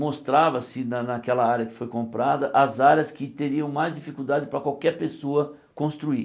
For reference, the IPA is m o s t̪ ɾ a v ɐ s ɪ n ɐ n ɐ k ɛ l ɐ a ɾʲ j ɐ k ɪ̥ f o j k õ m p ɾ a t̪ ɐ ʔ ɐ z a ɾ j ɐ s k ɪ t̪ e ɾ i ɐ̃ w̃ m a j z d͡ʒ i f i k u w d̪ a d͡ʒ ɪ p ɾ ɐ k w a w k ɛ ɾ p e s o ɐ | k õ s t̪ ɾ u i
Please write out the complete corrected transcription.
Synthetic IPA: m o s t̪ ɾ a v ɐ s ɪ n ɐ n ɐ k ɛ l ɐ a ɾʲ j ɐ k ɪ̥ f o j k õ m p ɾ a d̪ ɐ ʔ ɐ z a ɾ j ɐ s k ɪ t̪ e ɾ i ɐ̃ w̃ m a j z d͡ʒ i f i k u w d̪ a d͡ʒ ɪ p ɾ ɐ k w a w k ɛ ɾ p e s o ɐ | k õ s t̪ ɾ u i